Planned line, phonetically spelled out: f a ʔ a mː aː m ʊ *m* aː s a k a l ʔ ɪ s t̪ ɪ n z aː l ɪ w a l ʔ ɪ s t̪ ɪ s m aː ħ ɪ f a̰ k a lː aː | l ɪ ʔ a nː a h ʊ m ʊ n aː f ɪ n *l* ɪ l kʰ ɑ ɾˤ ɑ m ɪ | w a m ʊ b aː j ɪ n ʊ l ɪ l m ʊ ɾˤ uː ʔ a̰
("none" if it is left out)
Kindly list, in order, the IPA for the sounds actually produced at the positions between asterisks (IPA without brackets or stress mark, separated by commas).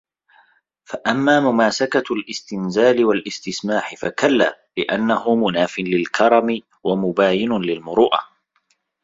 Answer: m, l